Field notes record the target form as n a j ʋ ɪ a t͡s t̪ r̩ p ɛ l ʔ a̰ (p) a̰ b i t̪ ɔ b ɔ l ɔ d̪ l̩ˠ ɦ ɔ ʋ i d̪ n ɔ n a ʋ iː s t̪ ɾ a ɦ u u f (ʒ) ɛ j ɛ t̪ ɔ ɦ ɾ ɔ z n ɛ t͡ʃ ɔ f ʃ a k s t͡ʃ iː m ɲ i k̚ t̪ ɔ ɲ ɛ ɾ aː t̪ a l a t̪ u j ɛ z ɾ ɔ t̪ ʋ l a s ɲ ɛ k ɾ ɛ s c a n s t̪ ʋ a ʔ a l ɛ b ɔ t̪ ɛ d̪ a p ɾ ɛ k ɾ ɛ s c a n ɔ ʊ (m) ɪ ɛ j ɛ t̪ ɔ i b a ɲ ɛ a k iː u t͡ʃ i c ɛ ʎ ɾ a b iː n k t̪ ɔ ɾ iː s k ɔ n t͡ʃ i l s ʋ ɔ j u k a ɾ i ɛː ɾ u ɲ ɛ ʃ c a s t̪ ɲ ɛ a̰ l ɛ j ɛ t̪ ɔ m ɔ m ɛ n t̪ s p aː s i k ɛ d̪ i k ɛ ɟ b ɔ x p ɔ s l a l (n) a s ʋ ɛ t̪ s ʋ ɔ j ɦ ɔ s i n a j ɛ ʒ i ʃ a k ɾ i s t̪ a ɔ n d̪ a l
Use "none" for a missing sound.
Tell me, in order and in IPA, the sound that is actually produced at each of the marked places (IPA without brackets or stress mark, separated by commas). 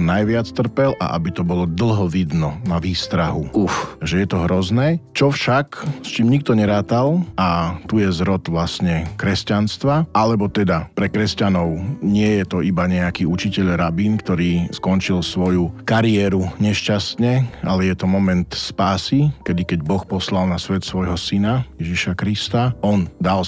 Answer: ʔ, ʒ, ɲ, n